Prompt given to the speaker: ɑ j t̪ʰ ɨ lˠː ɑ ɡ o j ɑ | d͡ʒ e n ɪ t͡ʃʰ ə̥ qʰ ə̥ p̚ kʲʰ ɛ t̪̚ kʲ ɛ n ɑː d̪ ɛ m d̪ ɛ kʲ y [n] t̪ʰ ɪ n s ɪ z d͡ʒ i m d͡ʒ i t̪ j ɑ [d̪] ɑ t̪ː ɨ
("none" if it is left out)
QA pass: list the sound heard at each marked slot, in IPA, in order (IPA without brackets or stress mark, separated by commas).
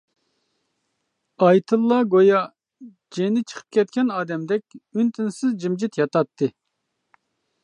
n, t̪